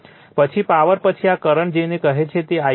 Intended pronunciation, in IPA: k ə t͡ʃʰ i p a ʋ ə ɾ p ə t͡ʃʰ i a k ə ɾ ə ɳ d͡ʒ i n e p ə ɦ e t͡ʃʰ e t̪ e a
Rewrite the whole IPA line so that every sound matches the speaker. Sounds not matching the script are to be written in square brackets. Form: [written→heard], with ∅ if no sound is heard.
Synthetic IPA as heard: [k→p] ə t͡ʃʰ i p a ʋ ə ɾ p ə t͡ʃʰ i a k ə ɾ ə ɳ d͡ʒ [i→e] n e [p→k] ə ɦ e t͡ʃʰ e t̪ e a